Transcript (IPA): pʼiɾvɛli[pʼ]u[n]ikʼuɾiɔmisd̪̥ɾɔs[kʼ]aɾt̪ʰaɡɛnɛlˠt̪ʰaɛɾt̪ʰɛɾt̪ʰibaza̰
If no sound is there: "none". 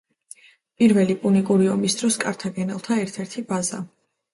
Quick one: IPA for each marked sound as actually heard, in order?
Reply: pʼ, n, kʼ

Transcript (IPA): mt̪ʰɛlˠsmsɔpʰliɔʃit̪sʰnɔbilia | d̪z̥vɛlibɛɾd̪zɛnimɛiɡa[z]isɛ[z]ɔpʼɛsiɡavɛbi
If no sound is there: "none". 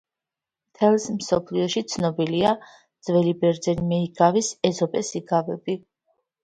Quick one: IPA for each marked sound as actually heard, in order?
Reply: v, z

